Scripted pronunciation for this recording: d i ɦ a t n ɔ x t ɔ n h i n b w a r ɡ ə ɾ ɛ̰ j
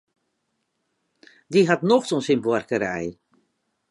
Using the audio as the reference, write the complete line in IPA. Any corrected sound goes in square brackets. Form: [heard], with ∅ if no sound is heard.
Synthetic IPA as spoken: d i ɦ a t n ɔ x t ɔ n [s] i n b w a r [k] ə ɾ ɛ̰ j